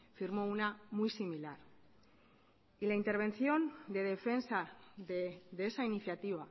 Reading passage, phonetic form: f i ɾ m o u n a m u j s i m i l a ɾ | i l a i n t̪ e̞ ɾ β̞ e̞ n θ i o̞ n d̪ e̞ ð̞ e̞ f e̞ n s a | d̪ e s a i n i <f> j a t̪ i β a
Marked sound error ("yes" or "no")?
yes